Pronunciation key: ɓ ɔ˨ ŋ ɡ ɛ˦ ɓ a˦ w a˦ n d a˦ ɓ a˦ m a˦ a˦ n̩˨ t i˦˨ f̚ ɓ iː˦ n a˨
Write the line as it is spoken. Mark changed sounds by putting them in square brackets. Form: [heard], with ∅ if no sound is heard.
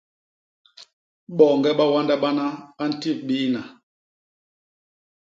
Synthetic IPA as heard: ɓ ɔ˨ ŋ ɡ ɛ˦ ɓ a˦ w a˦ n d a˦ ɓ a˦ [n] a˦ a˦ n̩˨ t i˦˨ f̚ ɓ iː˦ n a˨